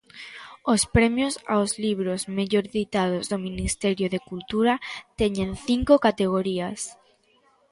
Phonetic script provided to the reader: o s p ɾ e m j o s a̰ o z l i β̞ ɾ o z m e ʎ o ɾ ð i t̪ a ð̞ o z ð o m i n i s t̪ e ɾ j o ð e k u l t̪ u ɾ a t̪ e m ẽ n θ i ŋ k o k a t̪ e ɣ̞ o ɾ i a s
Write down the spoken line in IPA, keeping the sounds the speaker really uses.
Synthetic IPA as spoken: o s p ɾ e m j o s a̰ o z l i β̞ ɾ o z m e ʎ o ɾ ð i t̪ a ð̞ o z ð o m i n i s t̪ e ɾ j o ð e k u l t̪ u ɾ a t̪ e ɲ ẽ n θ i ŋ k o k a t̪ e ɣ̞ o ɾ i a s